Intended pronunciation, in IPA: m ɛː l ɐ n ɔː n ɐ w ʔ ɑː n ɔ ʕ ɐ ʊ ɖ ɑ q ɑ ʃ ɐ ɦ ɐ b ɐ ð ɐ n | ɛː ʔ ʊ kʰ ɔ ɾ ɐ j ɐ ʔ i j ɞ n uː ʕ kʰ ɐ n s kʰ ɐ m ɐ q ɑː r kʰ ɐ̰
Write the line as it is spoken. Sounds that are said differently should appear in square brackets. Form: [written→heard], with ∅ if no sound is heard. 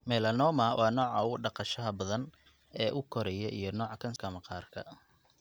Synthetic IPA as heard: m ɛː l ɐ n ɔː [n→m] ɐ w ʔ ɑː n [ɔ→ɔː] ʕ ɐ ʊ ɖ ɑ q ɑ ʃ ɐ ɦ ɐ b ɐ ð ɐ n | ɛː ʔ ʊ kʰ ɔ ɾ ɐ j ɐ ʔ i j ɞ n [uː→ɔː] ʕ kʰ ɐ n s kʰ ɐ m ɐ q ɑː r kʰ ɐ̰